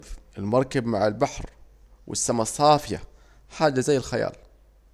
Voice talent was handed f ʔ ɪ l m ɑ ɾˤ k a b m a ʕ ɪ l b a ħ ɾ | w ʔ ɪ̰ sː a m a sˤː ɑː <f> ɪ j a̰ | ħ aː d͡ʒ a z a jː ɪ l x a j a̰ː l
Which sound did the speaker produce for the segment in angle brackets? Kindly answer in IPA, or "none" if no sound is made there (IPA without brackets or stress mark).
f